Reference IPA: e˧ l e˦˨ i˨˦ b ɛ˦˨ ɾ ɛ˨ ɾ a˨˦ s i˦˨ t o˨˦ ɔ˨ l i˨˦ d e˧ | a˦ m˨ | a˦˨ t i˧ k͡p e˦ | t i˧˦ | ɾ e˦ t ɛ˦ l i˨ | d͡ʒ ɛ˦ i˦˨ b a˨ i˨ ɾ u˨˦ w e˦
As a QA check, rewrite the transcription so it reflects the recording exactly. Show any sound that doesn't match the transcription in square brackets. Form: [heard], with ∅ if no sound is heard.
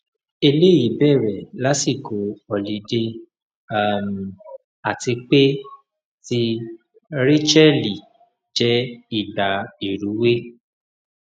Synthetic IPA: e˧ l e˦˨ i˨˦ b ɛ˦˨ ɾ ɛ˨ [l] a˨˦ s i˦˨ [k] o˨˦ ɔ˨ l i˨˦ d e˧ | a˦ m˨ | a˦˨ t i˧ k͡p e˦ | t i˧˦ | ɾ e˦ [t͡ʃ] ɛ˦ l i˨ | d͡ʒ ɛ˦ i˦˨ [d] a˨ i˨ ɾ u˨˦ w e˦